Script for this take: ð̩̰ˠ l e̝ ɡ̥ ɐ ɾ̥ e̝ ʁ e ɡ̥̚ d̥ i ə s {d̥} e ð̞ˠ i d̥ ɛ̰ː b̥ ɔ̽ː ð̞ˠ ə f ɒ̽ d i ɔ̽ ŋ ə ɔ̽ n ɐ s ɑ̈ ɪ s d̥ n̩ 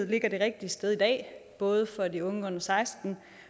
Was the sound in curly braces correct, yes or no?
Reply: yes